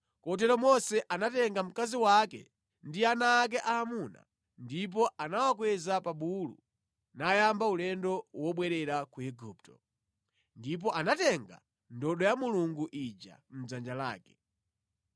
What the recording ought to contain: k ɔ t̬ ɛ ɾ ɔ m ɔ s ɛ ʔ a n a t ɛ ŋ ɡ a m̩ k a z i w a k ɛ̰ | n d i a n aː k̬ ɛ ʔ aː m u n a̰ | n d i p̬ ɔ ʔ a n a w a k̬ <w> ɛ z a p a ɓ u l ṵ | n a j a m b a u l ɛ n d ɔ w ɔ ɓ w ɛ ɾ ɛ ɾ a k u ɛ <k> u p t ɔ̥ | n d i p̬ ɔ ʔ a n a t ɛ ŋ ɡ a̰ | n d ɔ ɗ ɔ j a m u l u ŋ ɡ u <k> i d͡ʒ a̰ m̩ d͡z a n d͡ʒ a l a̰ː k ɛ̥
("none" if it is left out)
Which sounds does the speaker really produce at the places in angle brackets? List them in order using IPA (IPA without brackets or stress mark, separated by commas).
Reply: w, ɡ, ʔ